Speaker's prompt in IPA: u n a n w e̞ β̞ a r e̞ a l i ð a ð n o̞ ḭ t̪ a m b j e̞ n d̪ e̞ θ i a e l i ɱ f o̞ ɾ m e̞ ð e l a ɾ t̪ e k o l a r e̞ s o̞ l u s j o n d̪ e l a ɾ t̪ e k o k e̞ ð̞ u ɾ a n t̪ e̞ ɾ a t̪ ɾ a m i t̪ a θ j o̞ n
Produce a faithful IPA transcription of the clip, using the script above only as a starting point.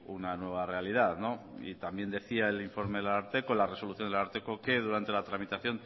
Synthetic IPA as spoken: u n a n w e̞ β̞ a r e̞ a l i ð a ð n o̞ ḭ t̪ a m b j e̞ n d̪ e̞ θ i a e l i ɱ f o̞ ɾ m e̞ ð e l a ɾ t̪ e k o l a r e̞ s o̞ l u θ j o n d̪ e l a ɾ t̪ e k o k e̞ ð̞ u ɾ a n t̪ e̞ l a t̪ ɾ a m i t̪ a θ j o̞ n